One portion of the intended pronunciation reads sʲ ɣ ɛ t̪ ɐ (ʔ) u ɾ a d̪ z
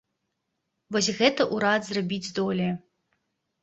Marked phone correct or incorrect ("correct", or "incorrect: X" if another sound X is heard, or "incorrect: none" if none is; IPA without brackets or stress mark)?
correct